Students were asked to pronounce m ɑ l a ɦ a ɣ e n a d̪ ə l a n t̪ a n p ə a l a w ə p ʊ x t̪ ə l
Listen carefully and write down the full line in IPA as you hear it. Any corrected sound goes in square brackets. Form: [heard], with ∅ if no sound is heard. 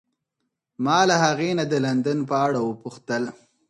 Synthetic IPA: m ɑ l a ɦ a ɣ e n a d̪ ə l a n [d̪] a n p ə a [ɽ] a w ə p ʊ x t̪ ə l